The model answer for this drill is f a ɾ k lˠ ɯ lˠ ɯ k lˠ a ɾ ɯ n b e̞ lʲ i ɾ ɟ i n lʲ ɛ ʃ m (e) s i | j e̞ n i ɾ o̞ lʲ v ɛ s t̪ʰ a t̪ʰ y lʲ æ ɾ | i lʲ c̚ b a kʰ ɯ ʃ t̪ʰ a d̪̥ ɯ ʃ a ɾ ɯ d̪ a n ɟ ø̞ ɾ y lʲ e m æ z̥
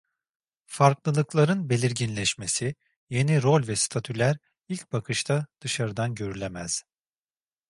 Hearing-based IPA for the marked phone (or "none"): e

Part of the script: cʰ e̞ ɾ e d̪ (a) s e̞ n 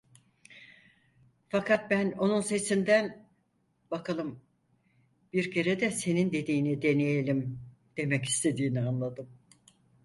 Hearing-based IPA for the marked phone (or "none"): ɛ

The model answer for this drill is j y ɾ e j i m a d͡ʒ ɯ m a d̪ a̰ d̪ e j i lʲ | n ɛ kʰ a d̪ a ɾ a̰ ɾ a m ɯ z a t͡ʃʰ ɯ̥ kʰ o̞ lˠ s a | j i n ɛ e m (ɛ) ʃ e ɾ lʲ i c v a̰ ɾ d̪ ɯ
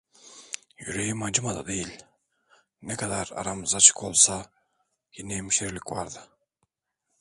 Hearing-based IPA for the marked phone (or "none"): i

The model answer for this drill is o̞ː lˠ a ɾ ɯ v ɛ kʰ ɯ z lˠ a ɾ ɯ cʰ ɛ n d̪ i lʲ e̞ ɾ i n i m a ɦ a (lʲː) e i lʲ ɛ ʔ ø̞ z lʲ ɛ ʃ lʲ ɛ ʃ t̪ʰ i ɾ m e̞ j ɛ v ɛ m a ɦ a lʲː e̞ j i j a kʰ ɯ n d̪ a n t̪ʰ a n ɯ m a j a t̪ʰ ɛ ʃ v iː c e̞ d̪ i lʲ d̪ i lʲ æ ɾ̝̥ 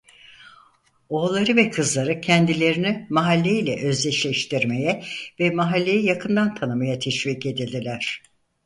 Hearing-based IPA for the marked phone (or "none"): lʲː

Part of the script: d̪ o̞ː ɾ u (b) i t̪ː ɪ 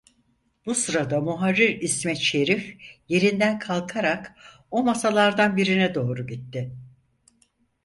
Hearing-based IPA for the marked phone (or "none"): ɟ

